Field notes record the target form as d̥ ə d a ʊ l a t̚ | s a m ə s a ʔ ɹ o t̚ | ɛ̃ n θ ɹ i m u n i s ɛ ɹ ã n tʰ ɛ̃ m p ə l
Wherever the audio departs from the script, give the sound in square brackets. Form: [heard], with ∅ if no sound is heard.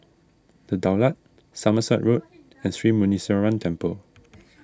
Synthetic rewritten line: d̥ ə d a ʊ l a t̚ | s a m ə s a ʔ ɹ o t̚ | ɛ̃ n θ ɹ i m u n i s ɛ ɹ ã n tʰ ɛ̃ m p ə l